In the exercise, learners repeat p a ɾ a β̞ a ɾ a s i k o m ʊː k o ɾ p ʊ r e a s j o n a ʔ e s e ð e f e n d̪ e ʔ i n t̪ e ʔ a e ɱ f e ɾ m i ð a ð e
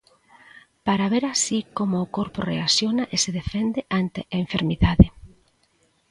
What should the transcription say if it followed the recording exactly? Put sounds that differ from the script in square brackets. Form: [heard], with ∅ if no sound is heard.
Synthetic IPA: p a ɾ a β̞ [e] ɾ a s i k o m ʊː k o ɾ p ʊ r e a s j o n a ʔ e s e ð e f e n d̪ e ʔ [a] n t̪ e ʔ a e ɱ f e ɾ m i ð a ð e